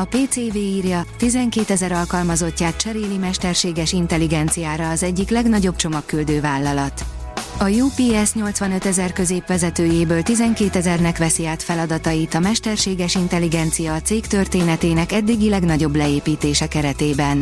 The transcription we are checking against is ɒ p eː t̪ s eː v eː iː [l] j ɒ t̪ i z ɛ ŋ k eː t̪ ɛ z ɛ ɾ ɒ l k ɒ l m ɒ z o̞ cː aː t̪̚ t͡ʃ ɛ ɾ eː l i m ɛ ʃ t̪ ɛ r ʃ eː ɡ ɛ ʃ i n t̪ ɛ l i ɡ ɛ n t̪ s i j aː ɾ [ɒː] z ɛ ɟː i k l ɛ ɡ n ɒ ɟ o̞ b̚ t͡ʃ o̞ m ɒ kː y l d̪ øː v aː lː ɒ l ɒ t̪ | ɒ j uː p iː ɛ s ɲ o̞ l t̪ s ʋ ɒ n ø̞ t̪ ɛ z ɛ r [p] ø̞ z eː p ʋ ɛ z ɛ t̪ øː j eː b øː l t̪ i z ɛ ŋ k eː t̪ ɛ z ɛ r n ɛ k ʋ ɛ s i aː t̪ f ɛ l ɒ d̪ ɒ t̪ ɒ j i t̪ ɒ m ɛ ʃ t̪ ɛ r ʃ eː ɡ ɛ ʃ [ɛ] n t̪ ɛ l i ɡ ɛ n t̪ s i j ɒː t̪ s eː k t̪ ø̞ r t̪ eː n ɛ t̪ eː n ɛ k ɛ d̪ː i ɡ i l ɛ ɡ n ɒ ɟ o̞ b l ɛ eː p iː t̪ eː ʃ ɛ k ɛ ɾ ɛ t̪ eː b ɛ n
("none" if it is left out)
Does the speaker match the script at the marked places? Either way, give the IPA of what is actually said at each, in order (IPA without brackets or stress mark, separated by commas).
r, ɒː, k, i